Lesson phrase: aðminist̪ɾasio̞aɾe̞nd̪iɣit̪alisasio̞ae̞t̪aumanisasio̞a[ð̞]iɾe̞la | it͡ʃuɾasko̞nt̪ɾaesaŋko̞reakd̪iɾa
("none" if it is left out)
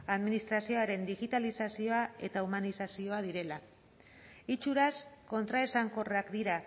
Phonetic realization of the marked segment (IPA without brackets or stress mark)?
ð̞